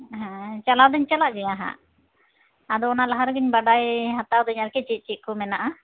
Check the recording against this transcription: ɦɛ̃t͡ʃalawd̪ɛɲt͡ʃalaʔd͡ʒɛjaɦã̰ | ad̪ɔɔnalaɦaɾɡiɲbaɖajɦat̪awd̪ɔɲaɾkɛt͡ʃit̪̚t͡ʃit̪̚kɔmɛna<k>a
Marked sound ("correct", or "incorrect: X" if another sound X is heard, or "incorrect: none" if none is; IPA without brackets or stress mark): incorrect: ʔ